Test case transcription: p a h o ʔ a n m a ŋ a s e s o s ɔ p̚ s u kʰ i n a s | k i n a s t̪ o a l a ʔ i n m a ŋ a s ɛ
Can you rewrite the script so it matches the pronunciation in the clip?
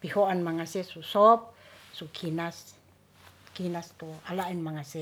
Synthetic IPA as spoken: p i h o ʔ a n m a ŋ a s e s u s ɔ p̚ s u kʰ i n a s | k i n a s t̪ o a l a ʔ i n m a ŋ a s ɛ